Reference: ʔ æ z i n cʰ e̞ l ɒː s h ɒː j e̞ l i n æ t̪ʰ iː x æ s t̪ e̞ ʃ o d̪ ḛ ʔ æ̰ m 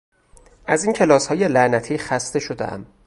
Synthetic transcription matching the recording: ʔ æ z i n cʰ e̞ l ɒː s h ɒː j e̞ l æ n æ t̪ʰ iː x æ s t̪ e̞ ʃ o d̪ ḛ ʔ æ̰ m